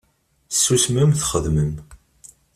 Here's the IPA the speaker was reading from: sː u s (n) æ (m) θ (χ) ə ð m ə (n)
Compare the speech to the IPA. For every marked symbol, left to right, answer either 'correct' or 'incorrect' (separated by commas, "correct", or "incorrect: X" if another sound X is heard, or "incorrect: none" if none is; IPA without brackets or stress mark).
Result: incorrect: m, correct, correct, incorrect: m